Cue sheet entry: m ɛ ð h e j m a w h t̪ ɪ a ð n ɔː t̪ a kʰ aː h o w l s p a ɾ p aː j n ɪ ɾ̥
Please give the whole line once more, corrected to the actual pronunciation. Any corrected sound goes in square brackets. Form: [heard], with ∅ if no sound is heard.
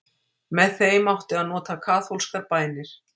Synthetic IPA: m ɛ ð [θ] e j m a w h t̪ ɪ a ð n ɔː t̪ a kʰ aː [θ] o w l s [k] a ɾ p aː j n ɪ ɾ̥